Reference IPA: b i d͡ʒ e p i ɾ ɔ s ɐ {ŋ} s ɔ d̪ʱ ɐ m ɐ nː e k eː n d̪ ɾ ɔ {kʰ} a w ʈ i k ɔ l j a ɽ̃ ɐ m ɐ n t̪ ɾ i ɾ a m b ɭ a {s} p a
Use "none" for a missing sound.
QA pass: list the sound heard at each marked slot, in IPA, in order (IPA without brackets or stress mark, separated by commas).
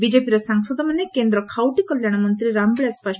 ŋ, kʰ, s